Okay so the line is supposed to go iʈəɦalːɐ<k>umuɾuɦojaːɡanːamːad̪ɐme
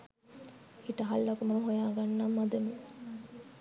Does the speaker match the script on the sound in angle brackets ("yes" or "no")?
yes